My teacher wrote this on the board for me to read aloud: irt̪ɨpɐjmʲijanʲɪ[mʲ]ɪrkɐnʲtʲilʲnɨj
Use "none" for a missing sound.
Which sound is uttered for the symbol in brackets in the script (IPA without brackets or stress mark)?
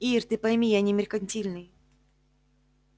mʲ